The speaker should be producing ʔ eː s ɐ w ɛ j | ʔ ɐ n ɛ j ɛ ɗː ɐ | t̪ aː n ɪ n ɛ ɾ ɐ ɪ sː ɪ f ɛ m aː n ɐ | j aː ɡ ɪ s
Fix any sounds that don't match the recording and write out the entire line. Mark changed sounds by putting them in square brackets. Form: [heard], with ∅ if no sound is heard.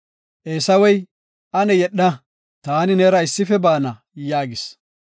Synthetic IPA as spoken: ʔ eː s ɐ w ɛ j | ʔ ɐ n ɛ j ɛ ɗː ɐ | t̪ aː n ɪ n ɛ ɾ ɐ ɪ sː ɪ f ɛ [b] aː n ɐ | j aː ɡ ɪ s